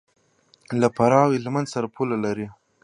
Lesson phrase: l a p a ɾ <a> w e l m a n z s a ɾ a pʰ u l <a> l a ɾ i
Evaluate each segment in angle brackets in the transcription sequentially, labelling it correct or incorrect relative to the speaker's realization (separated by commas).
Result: incorrect, correct